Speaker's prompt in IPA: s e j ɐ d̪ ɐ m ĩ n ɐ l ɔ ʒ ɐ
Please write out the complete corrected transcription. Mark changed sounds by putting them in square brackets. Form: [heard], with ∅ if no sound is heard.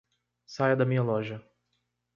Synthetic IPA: s [a] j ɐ d̪ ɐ m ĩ [ɲ] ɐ l ɔ ʒ ɐ

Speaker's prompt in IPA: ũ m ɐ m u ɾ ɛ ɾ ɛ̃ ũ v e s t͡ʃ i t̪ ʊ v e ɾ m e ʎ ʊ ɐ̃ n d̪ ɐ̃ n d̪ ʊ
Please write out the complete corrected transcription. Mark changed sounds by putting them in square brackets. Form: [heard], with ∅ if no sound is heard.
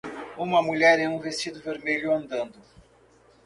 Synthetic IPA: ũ m ɐ m u [ʎ] ɛ ɾ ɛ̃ ũ v e s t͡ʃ i [d̪] ʊ v e ɾ m e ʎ ʊ ɐ̃ n d̪ ɐ̃ n d̪ ʊ

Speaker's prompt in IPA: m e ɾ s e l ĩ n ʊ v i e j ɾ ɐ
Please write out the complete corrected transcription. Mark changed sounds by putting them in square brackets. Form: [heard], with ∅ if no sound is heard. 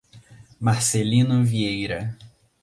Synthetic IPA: m [a] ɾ s e l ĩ n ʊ v i e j ɾ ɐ

